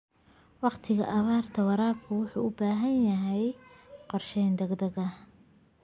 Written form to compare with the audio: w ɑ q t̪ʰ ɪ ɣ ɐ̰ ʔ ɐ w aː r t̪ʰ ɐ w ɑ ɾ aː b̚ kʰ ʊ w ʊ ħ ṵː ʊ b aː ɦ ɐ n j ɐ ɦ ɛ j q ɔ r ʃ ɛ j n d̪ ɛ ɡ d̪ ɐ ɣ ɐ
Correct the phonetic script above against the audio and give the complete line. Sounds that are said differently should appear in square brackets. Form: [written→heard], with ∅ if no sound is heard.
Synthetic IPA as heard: w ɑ q t̪ʰ ɪ ɣ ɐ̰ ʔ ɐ [w→β] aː r t̪ʰ ɐ w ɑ ɾ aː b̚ kʰ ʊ w ʊ ħ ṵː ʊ b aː ɦ ɐ n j ɐ ɦ ɛ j q ɔ r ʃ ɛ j n d̪ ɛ ɡ d̪ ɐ ɣ ɐ